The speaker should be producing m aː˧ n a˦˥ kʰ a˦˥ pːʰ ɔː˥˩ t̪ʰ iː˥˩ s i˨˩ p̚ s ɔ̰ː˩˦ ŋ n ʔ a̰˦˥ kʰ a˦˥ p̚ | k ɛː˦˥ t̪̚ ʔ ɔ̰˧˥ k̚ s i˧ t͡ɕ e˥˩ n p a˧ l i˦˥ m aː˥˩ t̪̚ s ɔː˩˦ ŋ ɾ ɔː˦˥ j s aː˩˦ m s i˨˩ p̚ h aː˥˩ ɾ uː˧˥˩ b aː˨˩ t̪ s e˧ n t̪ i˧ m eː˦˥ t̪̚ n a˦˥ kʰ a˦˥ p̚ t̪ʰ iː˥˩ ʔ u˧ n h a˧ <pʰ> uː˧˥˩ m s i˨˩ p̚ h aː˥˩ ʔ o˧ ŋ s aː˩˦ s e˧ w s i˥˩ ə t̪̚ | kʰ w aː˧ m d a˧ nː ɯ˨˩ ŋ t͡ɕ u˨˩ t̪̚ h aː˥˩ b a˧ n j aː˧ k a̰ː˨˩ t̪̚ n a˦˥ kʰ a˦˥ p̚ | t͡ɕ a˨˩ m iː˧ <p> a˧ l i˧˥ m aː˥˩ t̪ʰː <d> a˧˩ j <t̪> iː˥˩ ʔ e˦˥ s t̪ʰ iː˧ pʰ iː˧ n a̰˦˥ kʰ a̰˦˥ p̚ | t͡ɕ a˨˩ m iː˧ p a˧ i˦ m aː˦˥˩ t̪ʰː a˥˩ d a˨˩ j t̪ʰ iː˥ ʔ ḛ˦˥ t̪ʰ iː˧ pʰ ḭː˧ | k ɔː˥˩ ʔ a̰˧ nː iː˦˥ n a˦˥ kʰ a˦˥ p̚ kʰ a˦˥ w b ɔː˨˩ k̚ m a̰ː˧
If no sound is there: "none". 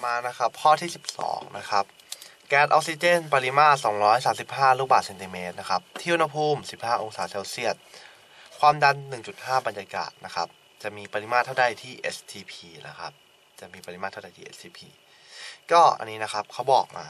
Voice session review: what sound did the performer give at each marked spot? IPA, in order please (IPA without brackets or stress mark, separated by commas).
pʰ, p, d, t̪ʰ